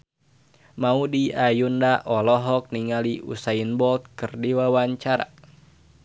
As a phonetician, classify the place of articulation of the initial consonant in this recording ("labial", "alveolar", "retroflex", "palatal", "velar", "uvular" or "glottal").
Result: labial